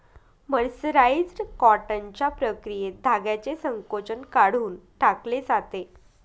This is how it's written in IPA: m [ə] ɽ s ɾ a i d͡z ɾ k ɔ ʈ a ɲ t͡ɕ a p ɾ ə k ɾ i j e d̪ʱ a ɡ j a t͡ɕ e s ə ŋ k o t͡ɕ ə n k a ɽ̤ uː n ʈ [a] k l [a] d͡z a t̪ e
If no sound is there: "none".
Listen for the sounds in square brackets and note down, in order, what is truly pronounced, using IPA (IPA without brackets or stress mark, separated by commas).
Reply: ə, a, e